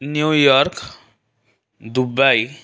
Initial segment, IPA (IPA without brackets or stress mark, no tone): n